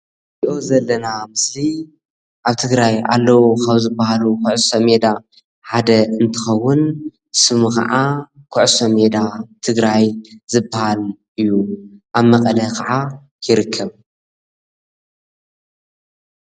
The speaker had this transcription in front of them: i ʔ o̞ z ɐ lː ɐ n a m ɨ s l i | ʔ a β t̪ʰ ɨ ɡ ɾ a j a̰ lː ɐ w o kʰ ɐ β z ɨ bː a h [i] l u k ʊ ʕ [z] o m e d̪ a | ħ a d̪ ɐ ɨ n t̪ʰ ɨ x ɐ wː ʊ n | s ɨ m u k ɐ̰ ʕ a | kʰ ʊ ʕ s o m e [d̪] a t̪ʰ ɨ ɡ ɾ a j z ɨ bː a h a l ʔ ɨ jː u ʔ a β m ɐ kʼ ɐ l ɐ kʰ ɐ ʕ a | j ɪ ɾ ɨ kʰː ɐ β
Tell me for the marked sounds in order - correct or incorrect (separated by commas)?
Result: incorrect, incorrect, correct